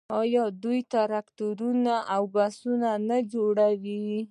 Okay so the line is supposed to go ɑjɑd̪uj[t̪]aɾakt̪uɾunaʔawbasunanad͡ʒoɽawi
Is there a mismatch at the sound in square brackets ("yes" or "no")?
no